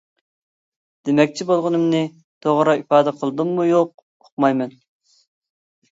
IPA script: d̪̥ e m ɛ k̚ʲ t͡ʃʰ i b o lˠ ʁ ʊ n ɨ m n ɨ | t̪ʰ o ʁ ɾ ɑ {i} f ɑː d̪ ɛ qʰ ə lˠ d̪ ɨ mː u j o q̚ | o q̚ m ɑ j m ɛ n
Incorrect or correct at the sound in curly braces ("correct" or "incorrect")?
correct